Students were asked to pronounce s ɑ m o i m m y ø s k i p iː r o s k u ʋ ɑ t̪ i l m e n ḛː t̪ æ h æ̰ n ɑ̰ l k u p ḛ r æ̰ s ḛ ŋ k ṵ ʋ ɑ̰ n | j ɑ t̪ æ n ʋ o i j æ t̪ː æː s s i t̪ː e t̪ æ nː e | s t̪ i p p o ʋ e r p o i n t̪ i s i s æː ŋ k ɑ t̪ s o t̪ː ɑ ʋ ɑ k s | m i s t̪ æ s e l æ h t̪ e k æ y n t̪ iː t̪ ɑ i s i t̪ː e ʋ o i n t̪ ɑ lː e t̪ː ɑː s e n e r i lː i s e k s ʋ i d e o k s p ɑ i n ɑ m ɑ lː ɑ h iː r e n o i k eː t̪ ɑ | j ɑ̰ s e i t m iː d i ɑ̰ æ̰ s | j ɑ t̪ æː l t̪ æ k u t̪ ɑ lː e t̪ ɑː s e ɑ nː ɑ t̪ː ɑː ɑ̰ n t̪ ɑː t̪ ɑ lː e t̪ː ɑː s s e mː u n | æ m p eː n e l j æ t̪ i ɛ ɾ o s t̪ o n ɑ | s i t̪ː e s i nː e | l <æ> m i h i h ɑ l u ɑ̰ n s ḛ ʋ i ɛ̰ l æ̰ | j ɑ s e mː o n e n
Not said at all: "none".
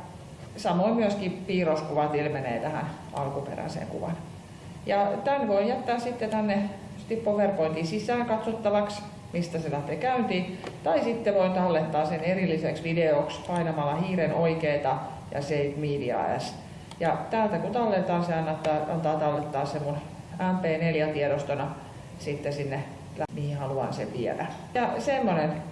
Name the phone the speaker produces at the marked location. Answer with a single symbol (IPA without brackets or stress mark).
æ